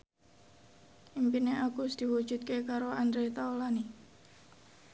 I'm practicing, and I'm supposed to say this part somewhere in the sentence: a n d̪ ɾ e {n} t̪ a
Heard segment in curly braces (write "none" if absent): none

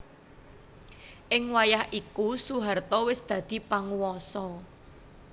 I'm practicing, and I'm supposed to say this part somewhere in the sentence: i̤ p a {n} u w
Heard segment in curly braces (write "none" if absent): ŋ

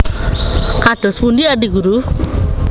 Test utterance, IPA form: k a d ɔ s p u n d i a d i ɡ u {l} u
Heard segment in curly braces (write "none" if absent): ɾ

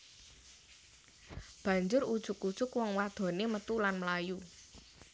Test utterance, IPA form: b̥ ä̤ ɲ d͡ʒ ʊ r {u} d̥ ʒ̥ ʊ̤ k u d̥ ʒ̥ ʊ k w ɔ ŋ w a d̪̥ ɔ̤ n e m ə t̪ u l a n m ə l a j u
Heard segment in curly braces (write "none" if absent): u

